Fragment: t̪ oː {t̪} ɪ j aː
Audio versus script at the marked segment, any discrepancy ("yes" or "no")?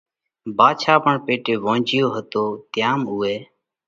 no